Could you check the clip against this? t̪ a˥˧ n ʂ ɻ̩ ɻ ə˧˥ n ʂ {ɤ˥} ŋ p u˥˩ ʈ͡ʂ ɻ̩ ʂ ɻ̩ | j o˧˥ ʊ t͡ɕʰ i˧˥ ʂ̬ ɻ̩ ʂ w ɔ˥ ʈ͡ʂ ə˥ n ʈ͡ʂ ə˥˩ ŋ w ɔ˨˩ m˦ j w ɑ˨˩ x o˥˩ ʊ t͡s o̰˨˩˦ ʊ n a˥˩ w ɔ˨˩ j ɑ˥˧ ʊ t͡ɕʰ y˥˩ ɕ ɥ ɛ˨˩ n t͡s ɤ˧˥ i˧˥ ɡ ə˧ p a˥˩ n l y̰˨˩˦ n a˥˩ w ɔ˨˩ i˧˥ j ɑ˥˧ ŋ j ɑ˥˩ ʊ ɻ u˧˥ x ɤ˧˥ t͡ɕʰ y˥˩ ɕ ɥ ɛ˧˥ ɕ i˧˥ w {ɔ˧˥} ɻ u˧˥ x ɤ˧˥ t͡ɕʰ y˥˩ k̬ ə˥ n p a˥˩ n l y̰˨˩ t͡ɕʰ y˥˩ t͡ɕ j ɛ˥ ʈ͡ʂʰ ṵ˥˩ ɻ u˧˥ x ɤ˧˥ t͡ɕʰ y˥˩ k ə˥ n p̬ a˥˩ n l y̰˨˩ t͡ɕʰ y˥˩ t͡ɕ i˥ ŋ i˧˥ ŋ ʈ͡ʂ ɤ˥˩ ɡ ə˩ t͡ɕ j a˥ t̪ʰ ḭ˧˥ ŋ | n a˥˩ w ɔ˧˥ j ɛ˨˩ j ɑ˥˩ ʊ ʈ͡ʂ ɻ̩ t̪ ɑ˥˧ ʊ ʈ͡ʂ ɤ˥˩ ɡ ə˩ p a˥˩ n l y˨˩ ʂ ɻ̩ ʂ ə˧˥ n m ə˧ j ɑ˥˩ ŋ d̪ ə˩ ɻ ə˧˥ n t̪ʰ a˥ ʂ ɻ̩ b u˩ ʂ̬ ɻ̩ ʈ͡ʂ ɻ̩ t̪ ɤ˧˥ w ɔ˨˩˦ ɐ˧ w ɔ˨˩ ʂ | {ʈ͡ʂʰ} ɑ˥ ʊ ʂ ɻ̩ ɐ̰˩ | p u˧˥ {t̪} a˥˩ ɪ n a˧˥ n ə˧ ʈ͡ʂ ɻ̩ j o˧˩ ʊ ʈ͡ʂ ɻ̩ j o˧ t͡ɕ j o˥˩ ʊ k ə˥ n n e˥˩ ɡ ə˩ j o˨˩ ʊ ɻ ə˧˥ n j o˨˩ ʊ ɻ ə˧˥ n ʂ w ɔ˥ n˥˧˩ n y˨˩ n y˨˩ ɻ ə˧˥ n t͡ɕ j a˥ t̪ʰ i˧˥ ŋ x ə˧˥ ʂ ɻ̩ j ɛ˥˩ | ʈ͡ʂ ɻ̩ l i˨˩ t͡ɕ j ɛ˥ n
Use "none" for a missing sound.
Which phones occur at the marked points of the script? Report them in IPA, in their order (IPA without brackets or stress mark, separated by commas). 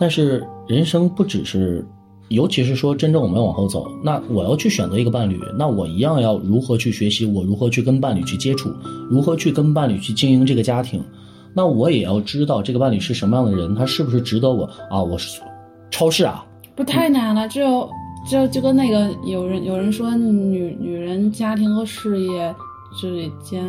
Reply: ɤ˥, ɔ˨˩, ʈ͡ʂʰ, t̪ʰ